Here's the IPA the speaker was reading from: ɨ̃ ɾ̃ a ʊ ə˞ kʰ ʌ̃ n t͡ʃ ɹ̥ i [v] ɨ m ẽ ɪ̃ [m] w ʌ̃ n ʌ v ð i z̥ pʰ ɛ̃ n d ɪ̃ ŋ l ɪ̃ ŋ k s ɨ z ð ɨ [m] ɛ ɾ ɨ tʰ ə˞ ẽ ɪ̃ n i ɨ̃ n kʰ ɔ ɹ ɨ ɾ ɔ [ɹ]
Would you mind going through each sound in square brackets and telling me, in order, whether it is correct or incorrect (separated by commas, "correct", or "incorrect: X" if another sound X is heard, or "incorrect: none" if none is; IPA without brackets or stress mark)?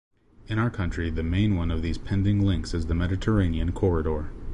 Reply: incorrect: ð, incorrect: n, correct, correct